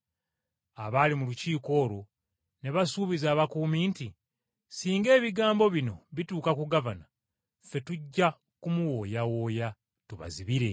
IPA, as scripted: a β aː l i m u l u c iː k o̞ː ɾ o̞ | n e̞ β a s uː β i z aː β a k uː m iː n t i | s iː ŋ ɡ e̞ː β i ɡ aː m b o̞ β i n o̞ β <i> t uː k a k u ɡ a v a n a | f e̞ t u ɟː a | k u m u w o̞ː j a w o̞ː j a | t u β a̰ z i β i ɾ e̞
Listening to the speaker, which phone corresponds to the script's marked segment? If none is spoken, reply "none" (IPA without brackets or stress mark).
i